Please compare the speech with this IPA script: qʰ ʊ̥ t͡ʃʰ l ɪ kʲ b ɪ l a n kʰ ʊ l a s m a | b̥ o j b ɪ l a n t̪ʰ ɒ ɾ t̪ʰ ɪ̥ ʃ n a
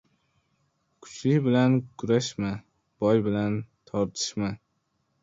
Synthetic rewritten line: kʰ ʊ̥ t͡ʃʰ l ɪ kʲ b ɪ l a n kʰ ʊ ɾ a ʃ m a | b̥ ɒ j b ɪ l a n t̪ʰ ɒ ɾ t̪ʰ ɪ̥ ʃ m a